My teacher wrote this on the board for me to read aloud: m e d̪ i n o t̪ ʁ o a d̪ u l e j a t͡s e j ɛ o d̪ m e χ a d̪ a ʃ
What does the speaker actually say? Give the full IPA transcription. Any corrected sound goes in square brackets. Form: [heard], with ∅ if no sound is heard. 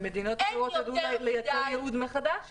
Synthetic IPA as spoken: m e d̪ i n o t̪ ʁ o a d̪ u l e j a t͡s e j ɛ [u] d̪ m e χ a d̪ a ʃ